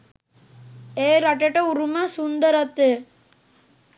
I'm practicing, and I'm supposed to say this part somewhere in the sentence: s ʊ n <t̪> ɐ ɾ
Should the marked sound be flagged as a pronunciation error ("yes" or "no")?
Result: yes